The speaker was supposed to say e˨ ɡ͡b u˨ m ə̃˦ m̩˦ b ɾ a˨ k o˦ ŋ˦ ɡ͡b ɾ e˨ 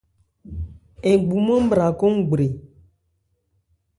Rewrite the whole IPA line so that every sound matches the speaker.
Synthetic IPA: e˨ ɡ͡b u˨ m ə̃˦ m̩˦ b ɾ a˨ k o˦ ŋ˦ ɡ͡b ɾ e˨

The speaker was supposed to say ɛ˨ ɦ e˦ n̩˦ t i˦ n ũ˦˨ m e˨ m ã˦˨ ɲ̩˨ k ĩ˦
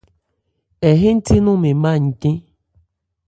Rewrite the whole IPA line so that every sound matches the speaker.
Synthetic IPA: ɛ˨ ɦ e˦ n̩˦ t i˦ n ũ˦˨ m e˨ m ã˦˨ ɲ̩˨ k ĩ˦

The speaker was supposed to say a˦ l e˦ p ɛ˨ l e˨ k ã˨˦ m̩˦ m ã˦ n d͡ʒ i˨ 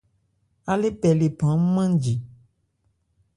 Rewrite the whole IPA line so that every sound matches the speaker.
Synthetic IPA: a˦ l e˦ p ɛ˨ l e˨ p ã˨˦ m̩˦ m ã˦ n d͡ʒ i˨

